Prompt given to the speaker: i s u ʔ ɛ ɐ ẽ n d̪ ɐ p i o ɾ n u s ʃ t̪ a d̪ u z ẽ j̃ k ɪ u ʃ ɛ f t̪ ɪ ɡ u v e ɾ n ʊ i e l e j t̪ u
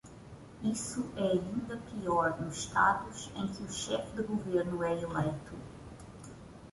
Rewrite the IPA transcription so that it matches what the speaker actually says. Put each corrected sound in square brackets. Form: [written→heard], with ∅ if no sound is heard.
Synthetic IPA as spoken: i s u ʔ ɛ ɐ [ẽ→ĩ] n d̪ ɐ p i [o→ɔ] ɾ n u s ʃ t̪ a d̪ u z ẽ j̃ k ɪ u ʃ ɛ f [t̪→d̪] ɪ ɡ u v e ɾ n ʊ [i→ɛ] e l e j t̪ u

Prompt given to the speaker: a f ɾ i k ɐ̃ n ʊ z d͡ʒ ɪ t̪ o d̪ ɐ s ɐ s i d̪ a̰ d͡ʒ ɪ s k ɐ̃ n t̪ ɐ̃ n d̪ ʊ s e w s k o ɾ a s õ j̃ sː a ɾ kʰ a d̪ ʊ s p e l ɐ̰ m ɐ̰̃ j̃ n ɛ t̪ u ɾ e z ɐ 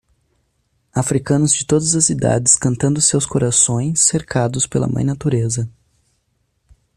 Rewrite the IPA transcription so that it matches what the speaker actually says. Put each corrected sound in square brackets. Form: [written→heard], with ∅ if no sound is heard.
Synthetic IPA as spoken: a f ɾ i k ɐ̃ n ʊ z d͡ʒ ɪ t̪ o d̪ ɐ [s→z] ɐ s i d̪ a̰ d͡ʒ ɪ s k ɐ̃ n t̪ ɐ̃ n d̪ ʊ s e w s k o ɾ a s õ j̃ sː [a→e] ɾ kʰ a d̪ ʊ s p e l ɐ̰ m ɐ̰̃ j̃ n [ɛ→a] t̪ u ɾ e z ɐ

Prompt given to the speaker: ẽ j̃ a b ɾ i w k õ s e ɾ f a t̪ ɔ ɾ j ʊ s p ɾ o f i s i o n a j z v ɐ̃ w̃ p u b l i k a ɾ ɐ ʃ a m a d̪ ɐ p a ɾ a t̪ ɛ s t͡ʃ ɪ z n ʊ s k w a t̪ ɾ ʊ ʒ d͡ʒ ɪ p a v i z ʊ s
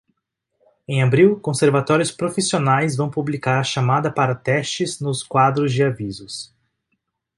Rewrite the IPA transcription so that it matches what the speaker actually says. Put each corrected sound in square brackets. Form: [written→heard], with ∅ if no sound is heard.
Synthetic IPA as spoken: ẽ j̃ a b ɾ i w k õ s e ɾ [f→v] a t̪ ɔ ɾ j ʊ s p ɾ o f i s i o n a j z v ɐ̃ w̃ p u b l i k a ɾ ɐ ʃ a m a d̪ ɐ p a ɾ [a→ɐ] t̪ ɛ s t͡ʃ ɪ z n ʊ s k w a [t̪→d̪] ɾ ʊ [ʒ→z] d͡ʒ ɪ [p→∅] a v i z ʊ s

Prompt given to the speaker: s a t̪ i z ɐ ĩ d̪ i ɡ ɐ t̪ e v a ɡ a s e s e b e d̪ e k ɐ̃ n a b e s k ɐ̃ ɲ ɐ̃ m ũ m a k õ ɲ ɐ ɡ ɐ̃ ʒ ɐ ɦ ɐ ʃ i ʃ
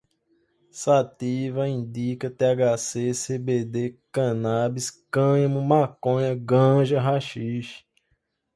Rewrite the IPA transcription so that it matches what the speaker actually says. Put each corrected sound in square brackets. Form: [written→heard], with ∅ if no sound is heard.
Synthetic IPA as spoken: s a t̪ i [z→v] ɐ ĩ d̪ i [ɡ→k] ɐ t̪ e [v→∅] a ɡ a s e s e b e d̪ e k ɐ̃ n a b [e→i] s k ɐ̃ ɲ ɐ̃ m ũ m a k õ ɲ ɐ ɡ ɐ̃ ʒ ɐ ɦ [ɐ→a] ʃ i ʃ

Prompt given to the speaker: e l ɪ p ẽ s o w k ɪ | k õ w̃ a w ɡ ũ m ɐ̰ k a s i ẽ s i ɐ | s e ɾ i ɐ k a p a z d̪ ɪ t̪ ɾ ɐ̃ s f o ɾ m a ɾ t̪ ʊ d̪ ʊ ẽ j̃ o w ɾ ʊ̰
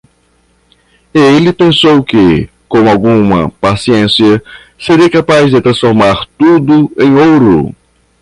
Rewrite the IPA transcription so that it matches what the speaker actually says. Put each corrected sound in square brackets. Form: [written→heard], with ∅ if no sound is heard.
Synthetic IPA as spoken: e l ɪ p ẽ s o w k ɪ | k õ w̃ a w ɡ ũ m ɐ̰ [k→p] a s i ẽ s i ɐ | s e ɾ i ɐ k a p a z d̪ ɪ t̪ ɾ ɐ̃ s f o ɾ m a ɾ t̪ [ʊ→u] d̪ ʊ ẽ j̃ o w ɾ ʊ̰

